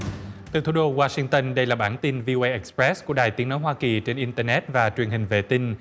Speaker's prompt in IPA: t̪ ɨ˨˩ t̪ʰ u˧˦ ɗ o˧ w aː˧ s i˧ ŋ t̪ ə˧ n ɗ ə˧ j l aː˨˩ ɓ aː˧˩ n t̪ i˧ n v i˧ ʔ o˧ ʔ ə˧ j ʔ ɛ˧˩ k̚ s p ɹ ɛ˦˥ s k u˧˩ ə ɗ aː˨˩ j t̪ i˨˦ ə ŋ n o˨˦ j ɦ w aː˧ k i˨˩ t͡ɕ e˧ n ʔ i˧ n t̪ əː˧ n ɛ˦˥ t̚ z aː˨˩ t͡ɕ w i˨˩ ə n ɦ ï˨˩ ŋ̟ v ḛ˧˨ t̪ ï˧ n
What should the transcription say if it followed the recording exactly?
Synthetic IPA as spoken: t̪ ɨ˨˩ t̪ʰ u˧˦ ɗ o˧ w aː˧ s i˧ ŋ t̪ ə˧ n ɗ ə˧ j l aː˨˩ ɓ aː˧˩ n t̪ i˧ n v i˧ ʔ o˧ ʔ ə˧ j ʔ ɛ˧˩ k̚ s p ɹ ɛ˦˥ s k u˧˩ ə ɗ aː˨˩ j t̪ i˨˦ ə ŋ n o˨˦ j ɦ w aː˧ k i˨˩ t͡ɕ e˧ n ʔ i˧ n t̪ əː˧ n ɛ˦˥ t̚ v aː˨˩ t͡ɕ w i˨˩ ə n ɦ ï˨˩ ŋ̟ v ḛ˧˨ t̪ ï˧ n